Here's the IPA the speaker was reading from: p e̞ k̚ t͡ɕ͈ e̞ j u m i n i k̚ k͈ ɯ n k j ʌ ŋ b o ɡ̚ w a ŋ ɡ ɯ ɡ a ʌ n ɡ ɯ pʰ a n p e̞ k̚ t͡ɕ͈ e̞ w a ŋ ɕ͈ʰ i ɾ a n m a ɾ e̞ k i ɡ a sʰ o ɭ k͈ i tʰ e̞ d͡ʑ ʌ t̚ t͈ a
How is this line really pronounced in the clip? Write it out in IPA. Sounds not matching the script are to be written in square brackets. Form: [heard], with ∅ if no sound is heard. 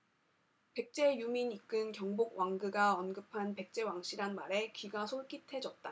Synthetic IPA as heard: p e̞ k̚ t͡ɕ͈ e̞ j u m i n i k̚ k͈ ɯ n k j ʌ ŋ b o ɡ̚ w a ŋ ɡ ɯ ɡ a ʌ n ɡ ɯ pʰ a n p e̞ k̚ t͡ɕ͈ e̞ w a ŋ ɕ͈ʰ i ɾ a n m a ɾ e̞ k i ɡ a sʰ o ɭ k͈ i tʰ e̞ d͡ʑ ʌ t̚ t͈ a